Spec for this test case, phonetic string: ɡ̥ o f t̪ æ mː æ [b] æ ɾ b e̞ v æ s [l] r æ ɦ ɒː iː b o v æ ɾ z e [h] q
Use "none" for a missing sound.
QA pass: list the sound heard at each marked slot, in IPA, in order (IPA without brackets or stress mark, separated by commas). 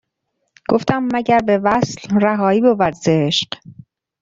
ɟ, l, ʃ